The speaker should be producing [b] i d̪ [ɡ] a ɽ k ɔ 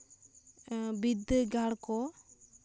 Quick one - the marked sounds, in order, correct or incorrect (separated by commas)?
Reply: correct, correct